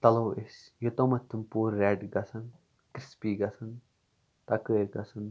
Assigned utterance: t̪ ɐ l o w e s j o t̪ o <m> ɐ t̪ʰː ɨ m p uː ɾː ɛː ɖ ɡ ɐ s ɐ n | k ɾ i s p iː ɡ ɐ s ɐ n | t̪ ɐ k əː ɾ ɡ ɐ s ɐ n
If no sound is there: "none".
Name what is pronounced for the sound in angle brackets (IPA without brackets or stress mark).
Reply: m